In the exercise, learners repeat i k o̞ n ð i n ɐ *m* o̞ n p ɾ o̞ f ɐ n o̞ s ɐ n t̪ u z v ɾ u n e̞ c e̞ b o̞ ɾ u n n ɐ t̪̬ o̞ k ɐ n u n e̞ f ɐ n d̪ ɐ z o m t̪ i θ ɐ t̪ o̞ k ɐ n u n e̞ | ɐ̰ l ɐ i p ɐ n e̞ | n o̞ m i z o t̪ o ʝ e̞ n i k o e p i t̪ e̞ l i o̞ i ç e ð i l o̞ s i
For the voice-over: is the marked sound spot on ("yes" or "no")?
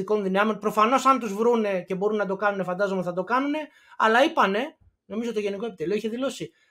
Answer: yes